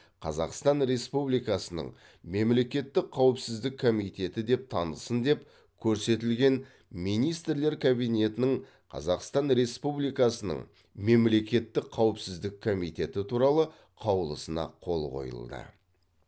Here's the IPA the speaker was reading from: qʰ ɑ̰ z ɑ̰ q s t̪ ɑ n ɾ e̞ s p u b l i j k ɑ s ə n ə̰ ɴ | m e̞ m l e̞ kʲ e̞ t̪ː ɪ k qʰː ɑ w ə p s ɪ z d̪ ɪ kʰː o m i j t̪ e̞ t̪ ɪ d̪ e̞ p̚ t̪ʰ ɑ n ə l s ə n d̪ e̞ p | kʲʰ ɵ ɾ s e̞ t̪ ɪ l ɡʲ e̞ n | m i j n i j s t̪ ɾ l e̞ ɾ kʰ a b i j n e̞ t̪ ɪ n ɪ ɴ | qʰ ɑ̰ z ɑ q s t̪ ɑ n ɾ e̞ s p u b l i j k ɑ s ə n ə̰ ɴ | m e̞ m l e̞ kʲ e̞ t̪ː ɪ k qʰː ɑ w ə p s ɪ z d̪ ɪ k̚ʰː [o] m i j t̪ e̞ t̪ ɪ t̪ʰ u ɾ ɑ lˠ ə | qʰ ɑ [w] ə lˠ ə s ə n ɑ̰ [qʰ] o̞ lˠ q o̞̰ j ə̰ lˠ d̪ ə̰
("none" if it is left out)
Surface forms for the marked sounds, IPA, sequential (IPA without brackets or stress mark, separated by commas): o, w, qʰ